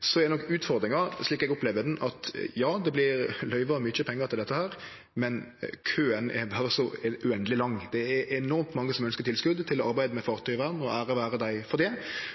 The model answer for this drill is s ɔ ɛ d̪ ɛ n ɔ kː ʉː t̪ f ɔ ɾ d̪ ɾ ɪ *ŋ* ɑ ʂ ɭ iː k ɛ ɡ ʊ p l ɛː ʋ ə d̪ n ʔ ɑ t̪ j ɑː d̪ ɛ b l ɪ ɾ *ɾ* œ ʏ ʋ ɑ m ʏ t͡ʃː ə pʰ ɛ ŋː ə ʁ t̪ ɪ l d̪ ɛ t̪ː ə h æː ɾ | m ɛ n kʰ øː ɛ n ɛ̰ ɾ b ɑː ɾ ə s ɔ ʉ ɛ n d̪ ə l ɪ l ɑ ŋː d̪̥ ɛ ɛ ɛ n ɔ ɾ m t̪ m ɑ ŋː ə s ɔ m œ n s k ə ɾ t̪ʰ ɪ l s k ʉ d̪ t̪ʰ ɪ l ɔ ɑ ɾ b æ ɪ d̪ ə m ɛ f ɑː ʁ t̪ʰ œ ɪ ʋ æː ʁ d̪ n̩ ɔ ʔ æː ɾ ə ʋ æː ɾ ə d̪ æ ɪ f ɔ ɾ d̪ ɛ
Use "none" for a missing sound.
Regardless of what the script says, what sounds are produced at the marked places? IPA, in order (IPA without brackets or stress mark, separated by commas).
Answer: ŋ, l